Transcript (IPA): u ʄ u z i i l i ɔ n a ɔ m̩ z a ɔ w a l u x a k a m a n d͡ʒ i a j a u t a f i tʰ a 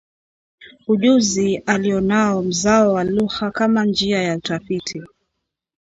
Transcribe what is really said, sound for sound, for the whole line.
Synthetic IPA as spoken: u ʄ u z i a l i ɔ n a ɔ m̩ z a ɔ w a l u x a k a m a n d͡ʒ i a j a u t a f i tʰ i